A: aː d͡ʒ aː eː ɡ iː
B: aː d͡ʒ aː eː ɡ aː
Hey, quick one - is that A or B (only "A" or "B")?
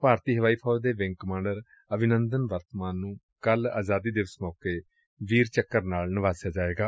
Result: B